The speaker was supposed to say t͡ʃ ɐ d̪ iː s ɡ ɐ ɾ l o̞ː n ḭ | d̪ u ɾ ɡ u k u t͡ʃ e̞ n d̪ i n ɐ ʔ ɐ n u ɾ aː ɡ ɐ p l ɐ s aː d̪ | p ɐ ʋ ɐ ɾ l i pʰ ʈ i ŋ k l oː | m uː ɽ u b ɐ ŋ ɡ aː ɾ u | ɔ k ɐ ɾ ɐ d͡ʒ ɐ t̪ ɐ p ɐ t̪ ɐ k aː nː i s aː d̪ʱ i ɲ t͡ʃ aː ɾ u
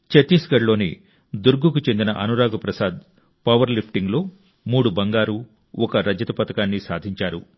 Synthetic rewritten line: t͡ʃ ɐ t̪ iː s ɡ ɐ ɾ l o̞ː n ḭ | d̪ u ɾ ɡ u k u t͡ʃ e̞ n d̪ i n ɐ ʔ ɐ n u ɾ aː ɡ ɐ p ɾ ɐ s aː d̪ | p ɐ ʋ ɐ ɾ l i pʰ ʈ i ŋ ɡ l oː | m uː ɽ u b ɐ ŋ ɡ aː ɾ u | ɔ k ɐ ɾ ɐ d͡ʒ ɐ t̪ ɐ p ɐ t̪ ɐ k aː nː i s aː d̪ʱ i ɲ t͡ʃ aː ɾ u